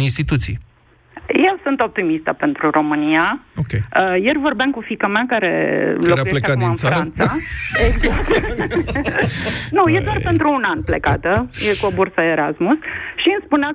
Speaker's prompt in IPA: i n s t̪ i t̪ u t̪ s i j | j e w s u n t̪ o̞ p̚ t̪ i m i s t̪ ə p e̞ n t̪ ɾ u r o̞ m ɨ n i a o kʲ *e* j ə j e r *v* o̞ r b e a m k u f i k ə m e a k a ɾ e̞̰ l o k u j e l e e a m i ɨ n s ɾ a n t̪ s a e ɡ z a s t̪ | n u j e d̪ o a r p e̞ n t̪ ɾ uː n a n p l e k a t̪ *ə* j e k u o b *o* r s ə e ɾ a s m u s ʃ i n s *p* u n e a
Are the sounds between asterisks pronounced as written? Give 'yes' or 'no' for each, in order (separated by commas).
yes, yes, yes, no, yes